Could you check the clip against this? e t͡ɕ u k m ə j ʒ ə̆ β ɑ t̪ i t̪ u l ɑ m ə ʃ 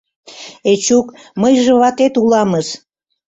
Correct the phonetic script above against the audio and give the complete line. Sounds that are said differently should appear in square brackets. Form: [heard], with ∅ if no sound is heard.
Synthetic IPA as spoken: e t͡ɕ u k m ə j ʒ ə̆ β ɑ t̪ [e] t̪ u l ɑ m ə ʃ